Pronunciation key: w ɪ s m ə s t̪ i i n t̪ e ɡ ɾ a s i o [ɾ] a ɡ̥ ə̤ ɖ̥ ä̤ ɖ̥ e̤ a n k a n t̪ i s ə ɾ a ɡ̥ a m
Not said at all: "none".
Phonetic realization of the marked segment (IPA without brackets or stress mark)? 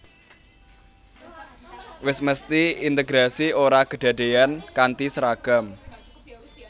ɾ